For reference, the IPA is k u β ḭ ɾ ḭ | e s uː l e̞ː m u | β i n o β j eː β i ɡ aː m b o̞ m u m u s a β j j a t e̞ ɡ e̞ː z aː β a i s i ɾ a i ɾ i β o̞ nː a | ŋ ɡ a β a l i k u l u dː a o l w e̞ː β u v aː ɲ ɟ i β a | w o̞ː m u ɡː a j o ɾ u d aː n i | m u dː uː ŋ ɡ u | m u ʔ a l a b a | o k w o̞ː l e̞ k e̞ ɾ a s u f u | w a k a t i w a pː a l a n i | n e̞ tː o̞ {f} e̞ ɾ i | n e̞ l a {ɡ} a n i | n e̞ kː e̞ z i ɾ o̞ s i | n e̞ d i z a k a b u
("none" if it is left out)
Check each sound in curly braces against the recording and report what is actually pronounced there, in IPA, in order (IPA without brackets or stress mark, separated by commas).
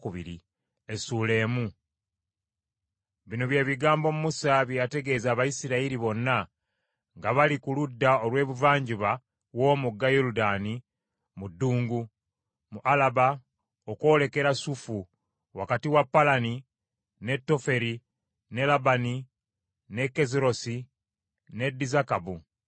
f, b